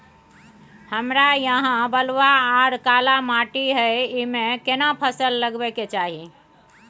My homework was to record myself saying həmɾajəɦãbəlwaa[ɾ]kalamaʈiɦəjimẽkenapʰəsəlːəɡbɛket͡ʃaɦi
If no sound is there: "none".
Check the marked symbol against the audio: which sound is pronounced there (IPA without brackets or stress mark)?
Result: ɾ